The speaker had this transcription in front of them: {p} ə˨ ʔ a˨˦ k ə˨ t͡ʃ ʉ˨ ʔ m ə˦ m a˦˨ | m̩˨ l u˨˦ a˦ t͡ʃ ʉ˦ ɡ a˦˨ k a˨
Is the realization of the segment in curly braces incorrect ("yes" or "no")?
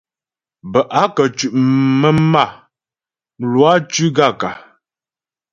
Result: yes